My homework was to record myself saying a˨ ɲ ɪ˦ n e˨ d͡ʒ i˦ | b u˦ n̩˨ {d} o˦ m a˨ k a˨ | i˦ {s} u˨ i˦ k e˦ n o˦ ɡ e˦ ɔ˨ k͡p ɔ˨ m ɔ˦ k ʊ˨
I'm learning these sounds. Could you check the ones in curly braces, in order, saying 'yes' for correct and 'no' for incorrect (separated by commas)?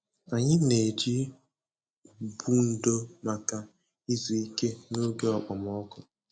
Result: yes, no